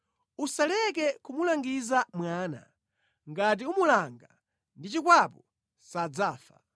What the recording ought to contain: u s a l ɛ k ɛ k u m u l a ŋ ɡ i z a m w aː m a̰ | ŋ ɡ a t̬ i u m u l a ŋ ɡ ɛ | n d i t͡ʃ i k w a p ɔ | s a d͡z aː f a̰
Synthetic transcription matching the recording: u s a l ɛ k ɛ k u m u l a ŋ ɡ i z a m w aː n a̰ | ŋ ɡ a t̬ i u m u l a ŋ ɡ a | n d i t͡ʃ i k w a p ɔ | s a d͡z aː f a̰